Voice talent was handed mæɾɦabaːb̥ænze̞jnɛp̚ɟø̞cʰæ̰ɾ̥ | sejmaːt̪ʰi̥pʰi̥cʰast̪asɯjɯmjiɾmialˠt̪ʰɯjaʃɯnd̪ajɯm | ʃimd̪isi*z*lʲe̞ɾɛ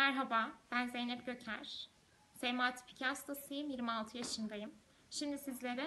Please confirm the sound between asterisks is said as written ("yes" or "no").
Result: yes